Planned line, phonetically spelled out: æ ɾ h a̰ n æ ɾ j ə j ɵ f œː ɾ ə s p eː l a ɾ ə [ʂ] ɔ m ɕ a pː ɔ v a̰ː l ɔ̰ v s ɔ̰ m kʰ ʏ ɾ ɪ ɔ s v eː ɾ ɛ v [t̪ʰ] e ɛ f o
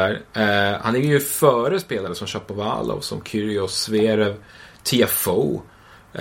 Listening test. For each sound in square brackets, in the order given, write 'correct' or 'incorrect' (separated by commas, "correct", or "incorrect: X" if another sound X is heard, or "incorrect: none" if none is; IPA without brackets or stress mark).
incorrect: s, correct